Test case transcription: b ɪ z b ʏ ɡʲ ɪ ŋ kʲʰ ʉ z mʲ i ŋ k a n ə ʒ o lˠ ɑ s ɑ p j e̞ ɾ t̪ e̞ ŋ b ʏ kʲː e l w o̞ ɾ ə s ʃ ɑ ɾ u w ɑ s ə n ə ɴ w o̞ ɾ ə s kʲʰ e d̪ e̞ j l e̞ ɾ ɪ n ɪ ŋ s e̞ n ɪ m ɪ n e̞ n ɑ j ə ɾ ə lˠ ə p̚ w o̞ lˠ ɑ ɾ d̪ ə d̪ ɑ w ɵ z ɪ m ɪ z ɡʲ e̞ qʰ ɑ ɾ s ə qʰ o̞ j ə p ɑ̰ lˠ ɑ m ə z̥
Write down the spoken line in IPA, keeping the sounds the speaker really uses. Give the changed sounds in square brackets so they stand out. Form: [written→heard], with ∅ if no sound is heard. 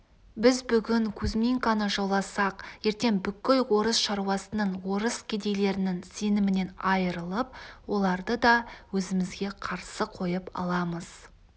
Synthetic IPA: b ɪ z b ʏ ɡʲ ɪ ŋ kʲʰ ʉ z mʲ i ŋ k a n ə ʒ o lˠ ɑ s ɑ [p→q] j e̞ ɾ t̪ e̞ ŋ b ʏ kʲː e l w o̞ ɾ ə s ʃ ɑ ɾ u w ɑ s ə n ə ɴ w o̞ ɾ ə s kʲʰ e d̪ e̞ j l e̞ ɾ ɪ n ɪ ŋ s e̞ n ɪ m ɪ n e̞ n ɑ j ə ɾ ə lˠ ə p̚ w o̞ lˠ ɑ ɾ d̪ ə d̪ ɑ w ɵ z ɪ m ɪ z ɡʲ e̞ qʰ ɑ ɾ s ə qʰ o̞ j ə p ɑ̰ lˠ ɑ m ə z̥